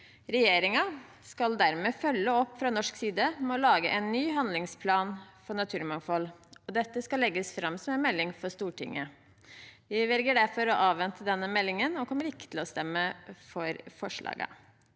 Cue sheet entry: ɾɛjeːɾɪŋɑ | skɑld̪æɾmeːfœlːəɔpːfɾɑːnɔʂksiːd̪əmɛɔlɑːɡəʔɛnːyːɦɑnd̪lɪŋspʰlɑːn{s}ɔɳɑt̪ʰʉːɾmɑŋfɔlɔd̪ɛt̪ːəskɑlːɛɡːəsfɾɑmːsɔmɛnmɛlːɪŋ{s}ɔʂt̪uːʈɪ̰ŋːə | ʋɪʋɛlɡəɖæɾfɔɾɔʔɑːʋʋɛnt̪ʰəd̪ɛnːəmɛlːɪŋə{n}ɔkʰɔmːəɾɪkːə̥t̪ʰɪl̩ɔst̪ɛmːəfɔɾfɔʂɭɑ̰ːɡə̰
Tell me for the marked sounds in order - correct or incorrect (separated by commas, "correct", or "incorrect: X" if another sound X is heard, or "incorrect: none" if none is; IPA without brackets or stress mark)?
incorrect: f, incorrect: f, correct